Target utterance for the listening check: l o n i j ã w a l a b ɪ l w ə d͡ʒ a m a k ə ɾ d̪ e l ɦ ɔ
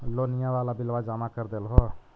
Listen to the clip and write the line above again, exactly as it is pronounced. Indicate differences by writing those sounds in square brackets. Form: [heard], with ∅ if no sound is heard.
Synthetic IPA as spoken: l o n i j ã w a l a b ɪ l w [a] d͡ʒ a m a k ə ɾ d̪ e l ɦ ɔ